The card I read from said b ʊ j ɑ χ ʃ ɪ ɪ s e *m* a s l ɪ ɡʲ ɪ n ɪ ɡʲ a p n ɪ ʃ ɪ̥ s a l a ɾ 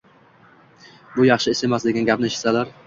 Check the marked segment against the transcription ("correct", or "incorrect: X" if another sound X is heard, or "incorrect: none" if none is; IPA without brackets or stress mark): correct